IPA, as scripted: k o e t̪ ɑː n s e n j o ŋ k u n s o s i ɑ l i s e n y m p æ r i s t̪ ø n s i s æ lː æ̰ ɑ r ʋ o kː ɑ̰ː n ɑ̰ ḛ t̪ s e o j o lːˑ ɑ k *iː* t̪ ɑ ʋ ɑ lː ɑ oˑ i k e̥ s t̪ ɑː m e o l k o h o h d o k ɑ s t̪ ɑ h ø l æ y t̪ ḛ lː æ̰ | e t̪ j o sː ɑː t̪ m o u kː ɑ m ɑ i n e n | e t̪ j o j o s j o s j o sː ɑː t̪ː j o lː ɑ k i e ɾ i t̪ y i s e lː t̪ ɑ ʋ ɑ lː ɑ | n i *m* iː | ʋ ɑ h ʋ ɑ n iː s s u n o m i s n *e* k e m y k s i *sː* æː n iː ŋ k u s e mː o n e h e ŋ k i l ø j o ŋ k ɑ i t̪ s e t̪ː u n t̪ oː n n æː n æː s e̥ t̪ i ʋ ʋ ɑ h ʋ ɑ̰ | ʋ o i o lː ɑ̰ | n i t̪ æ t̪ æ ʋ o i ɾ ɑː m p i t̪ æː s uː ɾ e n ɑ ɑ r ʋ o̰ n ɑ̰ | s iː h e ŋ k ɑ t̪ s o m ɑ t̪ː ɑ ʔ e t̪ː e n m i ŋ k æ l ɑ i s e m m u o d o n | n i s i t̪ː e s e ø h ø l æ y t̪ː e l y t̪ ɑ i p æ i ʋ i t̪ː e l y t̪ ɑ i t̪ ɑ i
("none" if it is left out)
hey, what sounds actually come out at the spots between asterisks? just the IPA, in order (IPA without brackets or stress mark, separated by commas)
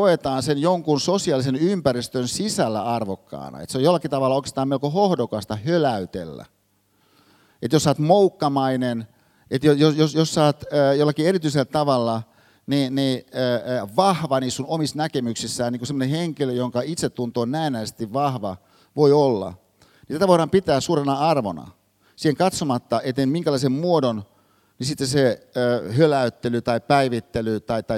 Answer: i, n, æ, sː